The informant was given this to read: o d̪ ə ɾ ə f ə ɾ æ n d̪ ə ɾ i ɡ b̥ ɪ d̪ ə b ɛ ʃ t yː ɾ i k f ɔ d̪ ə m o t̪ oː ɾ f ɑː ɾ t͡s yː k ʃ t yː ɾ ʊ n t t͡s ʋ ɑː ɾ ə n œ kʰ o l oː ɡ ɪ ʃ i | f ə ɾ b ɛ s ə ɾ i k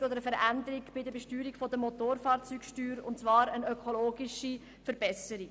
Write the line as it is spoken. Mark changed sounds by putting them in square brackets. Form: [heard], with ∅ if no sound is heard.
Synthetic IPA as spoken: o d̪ ə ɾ ə f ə ɾ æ n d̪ ə ɾ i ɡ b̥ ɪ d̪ ə b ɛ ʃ t yː ɾ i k f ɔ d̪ ə m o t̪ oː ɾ f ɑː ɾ t͡s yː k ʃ t yː ɾ ʊ n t t͡s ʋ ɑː ɾ ə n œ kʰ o l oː ɡ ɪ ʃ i | f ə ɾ b ɛ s ə ɾ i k